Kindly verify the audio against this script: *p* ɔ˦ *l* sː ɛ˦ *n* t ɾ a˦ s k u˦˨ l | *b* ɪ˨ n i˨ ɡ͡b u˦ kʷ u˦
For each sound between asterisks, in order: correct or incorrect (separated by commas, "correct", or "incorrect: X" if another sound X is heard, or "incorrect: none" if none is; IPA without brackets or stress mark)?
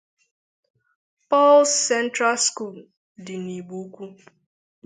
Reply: correct, correct, correct, incorrect: d